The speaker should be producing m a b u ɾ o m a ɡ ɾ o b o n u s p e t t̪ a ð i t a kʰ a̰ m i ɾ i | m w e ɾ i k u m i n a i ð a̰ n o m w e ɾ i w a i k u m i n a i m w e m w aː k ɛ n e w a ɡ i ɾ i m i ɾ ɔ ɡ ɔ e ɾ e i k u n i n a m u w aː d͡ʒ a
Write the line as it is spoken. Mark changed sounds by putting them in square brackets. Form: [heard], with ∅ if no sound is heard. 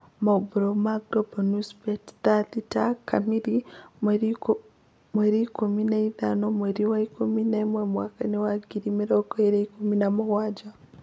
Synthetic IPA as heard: m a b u ɾ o m a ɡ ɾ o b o n u s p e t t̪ a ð i t a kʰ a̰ m i ɾ i | m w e ɾ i k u m i n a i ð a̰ n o m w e ɾ i w a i k u m i n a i m w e m w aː k [a] n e w a ɡ i ɾ i m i ɾ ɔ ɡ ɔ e ɾ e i k u [m] i n a m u w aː d͡ʒ a